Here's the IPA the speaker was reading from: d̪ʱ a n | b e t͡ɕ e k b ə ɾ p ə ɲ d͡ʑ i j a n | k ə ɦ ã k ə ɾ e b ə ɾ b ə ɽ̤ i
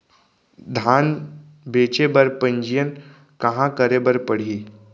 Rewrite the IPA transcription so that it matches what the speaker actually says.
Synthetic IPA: d̪ʱ a n | b e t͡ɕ e b ə ɾ p ə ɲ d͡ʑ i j ə n | k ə ɦ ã k ə ɾ e b ə ɾ p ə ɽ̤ i